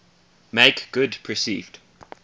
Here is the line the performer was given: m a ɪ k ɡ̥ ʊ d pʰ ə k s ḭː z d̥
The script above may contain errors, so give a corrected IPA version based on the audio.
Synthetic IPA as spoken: m e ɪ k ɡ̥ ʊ d pʰ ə s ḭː v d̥